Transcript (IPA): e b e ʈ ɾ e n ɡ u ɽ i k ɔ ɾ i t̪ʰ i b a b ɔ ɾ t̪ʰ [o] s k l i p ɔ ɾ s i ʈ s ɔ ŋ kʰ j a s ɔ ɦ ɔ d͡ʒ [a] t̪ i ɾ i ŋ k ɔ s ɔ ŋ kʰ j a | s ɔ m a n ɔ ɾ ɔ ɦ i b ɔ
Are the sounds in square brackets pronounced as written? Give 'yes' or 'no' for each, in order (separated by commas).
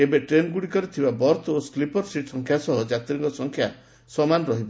yes, yes